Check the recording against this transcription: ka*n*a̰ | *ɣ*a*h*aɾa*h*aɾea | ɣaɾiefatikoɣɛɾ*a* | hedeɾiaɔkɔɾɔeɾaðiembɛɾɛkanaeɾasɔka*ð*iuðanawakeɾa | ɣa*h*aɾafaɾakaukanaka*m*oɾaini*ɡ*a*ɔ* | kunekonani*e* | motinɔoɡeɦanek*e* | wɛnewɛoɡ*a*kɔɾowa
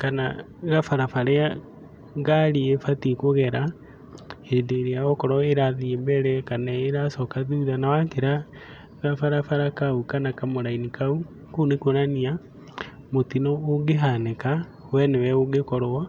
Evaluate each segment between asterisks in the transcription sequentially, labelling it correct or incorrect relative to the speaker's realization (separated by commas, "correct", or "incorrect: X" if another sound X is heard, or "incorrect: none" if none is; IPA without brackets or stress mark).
correct, correct, incorrect: f, incorrect: f, correct, correct, incorrect: f, correct, incorrect: k, incorrect: u, incorrect: a, incorrect: a, incorrect: e